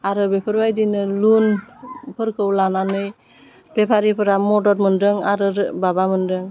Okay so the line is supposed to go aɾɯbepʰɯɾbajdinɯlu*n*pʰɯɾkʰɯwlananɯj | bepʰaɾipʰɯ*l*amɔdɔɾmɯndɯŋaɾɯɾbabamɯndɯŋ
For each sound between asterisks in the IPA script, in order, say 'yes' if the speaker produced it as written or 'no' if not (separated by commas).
yes, no